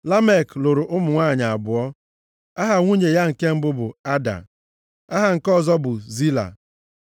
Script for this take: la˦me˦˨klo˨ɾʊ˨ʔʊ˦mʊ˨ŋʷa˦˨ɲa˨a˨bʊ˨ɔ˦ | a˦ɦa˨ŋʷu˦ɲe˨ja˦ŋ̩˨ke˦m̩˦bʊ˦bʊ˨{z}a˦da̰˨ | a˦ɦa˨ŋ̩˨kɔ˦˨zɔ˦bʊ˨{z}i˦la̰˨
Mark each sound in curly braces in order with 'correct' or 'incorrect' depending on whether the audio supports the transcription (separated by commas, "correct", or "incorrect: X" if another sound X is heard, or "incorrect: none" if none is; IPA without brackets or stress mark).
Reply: incorrect: none, correct